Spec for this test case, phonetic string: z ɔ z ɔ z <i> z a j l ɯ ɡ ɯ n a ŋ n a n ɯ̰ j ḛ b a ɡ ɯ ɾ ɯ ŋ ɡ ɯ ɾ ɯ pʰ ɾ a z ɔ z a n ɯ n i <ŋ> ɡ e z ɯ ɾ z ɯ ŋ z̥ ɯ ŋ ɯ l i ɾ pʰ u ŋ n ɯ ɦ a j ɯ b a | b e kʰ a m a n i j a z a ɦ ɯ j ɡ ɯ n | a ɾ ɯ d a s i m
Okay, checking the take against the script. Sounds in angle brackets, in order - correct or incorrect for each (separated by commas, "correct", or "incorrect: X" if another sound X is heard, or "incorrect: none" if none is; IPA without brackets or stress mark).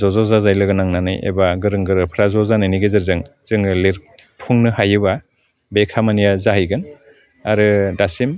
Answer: incorrect: a, incorrect: none